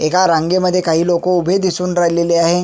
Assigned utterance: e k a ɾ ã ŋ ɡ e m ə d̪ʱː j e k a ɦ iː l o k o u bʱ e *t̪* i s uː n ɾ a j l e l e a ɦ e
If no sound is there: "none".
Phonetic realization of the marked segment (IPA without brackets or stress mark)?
d̪